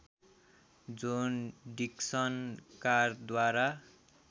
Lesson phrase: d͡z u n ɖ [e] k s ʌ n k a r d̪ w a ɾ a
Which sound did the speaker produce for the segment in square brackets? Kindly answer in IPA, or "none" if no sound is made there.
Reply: i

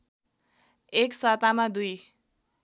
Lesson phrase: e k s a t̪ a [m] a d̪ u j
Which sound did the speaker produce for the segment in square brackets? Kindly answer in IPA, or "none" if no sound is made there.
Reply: m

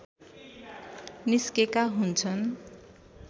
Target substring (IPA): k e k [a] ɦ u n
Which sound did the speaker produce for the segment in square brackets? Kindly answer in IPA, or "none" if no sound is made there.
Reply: a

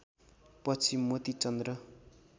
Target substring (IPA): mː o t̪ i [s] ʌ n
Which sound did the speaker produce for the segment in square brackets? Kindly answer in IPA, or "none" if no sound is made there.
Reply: t͡s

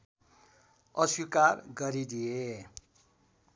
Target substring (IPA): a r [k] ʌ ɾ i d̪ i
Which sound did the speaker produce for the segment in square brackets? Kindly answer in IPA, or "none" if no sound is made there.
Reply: ɡ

